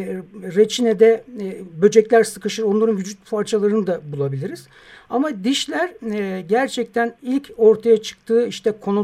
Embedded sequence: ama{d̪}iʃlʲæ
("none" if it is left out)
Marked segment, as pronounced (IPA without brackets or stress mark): d̪